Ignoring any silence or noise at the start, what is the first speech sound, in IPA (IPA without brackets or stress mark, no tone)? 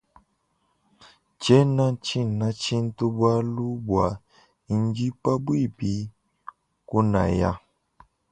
t͡ʃ